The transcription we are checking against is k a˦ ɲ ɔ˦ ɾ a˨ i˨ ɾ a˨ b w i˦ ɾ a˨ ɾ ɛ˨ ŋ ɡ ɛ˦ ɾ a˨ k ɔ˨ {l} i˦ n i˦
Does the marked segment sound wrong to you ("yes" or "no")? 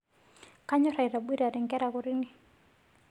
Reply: yes